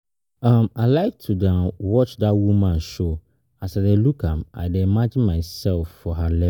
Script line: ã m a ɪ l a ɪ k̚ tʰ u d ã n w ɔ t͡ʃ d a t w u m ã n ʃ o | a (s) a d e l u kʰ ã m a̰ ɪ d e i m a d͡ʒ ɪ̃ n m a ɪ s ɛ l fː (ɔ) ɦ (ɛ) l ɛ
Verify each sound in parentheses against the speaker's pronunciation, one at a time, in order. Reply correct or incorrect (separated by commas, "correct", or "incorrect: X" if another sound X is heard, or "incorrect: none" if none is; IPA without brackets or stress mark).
correct, correct, incorrect: a